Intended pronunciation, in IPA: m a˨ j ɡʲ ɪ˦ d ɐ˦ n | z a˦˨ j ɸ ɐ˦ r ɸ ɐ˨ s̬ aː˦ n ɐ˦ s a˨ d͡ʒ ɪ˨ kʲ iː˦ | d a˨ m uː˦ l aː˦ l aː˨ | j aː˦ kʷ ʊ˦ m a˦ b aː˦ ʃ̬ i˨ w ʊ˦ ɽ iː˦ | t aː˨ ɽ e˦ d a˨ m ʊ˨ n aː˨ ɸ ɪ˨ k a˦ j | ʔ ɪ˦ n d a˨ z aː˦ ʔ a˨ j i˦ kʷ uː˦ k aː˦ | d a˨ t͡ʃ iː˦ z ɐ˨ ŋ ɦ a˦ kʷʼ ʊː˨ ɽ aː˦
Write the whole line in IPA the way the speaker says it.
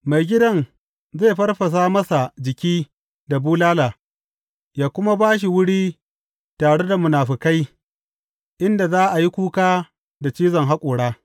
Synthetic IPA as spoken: m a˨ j ɡʲ ɪ˦ d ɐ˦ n | z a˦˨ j ɸ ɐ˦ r ɸ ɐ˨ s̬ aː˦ m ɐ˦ s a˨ d͡ʒ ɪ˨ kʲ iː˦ | d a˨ b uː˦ l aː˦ l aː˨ | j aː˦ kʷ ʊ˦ m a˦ b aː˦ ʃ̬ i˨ w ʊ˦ ɽ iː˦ | t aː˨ ɽ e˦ d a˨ m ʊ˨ n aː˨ ɸ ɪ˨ k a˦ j | ʔ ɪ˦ n d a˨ z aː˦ ʔ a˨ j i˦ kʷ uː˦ k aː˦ | d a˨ t͡ʃ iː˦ z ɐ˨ ŋ ɦ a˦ kʷʼ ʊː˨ ɽ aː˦